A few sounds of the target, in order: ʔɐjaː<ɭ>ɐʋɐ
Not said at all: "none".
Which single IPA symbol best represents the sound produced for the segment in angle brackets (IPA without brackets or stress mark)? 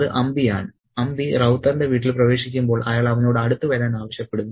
ɭ